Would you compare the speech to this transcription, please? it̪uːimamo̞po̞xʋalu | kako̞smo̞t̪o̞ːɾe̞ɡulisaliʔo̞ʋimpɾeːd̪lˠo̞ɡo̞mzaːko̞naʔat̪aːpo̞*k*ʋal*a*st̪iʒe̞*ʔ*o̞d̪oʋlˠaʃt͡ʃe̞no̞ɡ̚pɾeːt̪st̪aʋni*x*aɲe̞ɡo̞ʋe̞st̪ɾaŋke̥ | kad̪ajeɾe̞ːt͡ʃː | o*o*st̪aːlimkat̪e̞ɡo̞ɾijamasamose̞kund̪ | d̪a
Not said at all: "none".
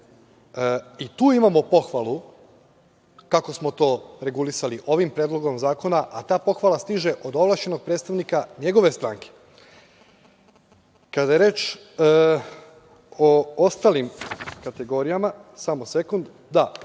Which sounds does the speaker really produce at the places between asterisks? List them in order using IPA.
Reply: x, a, ʔ, k, o

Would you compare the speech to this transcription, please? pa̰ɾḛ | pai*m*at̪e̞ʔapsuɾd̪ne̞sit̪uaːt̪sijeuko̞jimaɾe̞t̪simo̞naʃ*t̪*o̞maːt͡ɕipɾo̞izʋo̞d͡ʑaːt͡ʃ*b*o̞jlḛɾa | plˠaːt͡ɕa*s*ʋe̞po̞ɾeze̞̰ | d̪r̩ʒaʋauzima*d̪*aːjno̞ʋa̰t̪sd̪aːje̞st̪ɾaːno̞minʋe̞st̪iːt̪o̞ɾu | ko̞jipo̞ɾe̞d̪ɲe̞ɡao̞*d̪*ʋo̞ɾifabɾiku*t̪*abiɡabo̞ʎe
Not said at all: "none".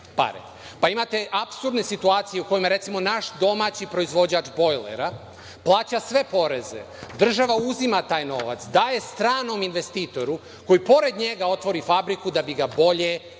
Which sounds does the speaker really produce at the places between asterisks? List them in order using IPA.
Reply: m, d̪, b, s, t̪, t̪, d̪

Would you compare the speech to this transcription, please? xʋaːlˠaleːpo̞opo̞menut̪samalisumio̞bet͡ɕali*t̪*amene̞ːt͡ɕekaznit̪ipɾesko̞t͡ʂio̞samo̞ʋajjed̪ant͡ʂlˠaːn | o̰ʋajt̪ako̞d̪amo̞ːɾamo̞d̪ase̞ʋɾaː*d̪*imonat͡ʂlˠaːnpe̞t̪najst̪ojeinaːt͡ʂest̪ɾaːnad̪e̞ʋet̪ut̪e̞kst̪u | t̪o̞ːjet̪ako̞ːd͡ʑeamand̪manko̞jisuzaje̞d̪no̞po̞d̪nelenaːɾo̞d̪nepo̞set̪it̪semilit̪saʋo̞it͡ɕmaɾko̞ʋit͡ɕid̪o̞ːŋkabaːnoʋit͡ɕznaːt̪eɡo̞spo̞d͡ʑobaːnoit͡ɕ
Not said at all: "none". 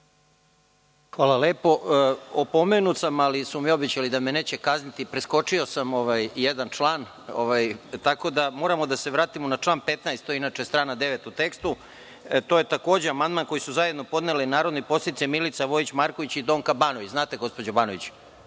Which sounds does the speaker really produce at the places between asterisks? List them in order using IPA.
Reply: d̪, t̪

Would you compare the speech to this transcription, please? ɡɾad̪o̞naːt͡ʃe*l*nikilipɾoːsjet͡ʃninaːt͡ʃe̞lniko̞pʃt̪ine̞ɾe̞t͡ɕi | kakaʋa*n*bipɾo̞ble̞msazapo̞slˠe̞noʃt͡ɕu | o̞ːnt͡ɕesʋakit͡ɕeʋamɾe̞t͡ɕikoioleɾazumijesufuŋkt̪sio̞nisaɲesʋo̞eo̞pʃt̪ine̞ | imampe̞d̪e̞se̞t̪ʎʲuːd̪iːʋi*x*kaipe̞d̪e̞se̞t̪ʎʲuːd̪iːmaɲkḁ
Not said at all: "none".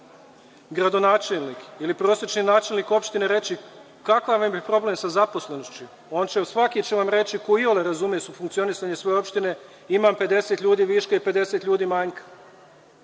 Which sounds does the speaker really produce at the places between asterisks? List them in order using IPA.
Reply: l, m, ʃ

